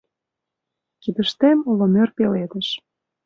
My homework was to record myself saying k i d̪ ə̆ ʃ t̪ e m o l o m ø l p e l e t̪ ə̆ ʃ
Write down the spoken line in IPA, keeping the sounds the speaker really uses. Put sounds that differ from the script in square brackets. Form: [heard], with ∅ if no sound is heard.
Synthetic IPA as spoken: k i d̪ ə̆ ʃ t̪ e m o l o m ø [r] p e l e [d̪] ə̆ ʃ